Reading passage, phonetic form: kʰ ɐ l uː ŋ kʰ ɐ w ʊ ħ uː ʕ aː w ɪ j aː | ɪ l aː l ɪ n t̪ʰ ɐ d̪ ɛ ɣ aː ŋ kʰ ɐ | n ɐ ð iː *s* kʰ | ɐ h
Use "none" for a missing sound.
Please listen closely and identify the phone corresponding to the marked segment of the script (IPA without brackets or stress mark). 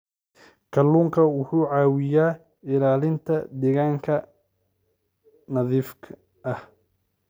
f